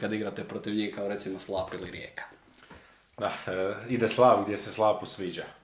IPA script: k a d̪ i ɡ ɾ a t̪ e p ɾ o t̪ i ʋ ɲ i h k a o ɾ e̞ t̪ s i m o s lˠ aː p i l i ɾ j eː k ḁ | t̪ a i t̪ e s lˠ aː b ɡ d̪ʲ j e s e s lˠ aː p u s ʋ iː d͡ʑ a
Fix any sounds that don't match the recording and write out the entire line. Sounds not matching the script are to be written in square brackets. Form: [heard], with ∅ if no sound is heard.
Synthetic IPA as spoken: k a d̪ i ɡ ɾ a t̪ e p ɾ o t̪ i ʋ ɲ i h k a o ɾ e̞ t̪ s i m o s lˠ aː p i l i ɾ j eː k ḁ | [d̪] a i [d̪] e s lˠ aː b ɡ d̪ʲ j e s e s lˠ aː p u s ʋ iː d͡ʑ a